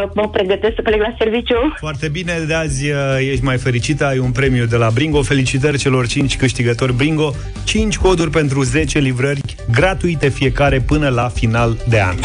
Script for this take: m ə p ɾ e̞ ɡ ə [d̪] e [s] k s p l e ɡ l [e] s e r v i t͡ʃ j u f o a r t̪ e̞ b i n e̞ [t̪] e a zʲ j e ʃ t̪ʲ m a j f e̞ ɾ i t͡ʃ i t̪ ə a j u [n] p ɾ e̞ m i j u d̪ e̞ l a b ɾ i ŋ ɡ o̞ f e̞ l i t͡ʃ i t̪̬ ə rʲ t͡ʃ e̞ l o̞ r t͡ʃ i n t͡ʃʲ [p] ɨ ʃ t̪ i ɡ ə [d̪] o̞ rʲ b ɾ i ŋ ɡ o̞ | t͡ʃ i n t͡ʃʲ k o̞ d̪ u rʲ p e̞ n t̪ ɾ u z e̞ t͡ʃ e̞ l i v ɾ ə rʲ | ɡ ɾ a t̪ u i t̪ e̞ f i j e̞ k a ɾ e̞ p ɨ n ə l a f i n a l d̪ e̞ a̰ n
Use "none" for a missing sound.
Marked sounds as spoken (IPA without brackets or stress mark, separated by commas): t̪, s, a, d̪, n, k, t̪